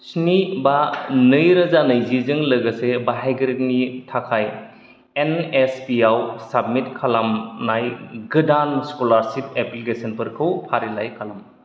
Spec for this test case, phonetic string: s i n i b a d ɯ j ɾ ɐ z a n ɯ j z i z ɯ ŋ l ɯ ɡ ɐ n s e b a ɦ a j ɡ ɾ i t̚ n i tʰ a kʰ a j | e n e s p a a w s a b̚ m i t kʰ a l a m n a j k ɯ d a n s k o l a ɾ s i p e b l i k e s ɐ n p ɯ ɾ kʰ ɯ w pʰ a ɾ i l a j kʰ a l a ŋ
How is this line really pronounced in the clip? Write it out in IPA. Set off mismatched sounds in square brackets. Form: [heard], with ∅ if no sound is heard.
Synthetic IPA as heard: s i n i b a [n] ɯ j ɾ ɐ z a n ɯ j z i z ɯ ŋ l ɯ ɡ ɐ [∅] s e b a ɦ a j ɡ ɾ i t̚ n i tʰ a kʰ a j | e n e s p [i] a w s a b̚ m i t kʰ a l a m n a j [ɡ] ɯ d a n s k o l a ɾ s i p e [p] l i k e s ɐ n p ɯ ɾ kʰ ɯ w pʰ a ɾ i l a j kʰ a l a [m]